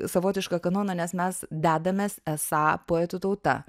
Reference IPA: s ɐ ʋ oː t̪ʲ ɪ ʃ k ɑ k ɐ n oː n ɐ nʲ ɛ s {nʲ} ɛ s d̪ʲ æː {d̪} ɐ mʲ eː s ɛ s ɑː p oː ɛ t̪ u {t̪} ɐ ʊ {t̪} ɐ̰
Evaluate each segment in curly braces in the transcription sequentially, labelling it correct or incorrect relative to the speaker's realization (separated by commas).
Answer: incorrect, correct, correct, correct